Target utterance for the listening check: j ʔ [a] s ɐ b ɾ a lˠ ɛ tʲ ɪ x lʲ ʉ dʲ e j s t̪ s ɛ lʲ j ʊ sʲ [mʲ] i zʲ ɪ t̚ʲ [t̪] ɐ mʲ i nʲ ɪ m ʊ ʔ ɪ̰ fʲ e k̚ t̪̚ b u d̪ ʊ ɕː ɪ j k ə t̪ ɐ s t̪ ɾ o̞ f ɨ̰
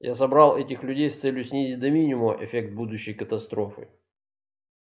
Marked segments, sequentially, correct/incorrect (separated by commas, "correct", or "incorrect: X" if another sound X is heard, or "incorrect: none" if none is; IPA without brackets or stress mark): correct, incorrect: nʲ, incorrect: d̪